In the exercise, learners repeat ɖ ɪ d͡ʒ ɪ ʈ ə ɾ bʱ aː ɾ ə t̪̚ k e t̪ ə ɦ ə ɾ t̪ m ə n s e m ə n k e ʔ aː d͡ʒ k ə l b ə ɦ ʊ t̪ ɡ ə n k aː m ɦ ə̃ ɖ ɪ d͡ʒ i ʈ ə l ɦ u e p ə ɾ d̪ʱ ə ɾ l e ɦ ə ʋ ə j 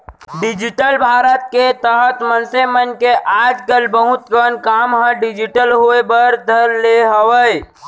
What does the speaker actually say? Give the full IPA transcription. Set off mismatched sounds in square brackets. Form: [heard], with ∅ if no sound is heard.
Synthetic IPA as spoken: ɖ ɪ d͡ʒ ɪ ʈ ə [l] bʱ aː ɾ ə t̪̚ k e t̪ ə ɦ ə [∅] t̪ m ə n s e m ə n k e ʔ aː d͡ʒ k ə l b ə ɦ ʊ t̪ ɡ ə n k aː m ɦ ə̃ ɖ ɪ d͡ʒ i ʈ ə l ɦ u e [b] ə ɾ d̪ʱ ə ɾ l e ɦ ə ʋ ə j